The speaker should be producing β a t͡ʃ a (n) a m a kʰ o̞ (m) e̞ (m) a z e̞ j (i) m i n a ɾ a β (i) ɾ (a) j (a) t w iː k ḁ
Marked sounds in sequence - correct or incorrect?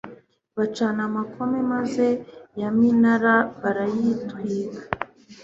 correct, correct, correct, incorrect, incorrect, correct, incorrect

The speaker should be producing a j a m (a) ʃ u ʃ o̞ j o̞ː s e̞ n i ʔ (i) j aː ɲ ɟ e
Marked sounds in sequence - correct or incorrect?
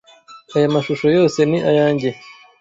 correct, incorrect

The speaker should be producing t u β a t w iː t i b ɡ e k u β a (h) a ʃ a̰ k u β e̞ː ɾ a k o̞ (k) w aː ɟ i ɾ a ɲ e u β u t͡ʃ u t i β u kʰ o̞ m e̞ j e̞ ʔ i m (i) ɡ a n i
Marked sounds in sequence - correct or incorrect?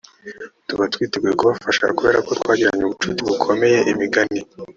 incorrect, incorrect, correct

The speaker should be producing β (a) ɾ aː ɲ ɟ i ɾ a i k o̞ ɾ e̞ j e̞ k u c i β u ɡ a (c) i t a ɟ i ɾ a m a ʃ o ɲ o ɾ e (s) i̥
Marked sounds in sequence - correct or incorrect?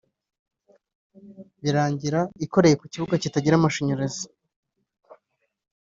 incorrect, correct, incorrect

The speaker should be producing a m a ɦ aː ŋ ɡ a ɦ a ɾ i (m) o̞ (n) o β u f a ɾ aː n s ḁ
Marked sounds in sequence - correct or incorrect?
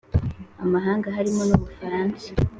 correct, correct

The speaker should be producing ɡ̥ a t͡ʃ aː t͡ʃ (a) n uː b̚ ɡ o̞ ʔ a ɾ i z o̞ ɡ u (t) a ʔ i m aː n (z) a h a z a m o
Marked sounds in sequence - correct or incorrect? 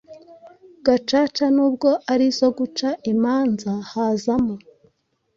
correct, incorrect, correct

